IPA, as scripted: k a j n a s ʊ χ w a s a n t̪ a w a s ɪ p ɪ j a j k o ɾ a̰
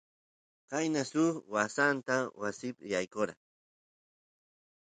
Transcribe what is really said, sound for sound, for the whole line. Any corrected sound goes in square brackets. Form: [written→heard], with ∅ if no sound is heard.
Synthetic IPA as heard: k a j n a s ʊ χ w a s a n t̪ a w a s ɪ p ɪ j a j k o ɾ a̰